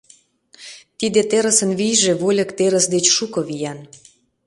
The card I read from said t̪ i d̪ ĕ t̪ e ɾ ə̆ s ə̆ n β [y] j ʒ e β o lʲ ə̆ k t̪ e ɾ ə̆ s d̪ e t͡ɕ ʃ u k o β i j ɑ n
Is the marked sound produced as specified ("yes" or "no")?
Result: no